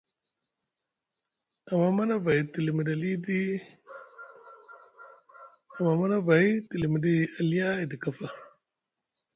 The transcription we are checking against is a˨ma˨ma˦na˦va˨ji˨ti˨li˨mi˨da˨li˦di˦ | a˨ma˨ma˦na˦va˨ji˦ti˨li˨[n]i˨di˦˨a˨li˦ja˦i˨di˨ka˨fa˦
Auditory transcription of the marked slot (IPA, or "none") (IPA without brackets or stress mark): m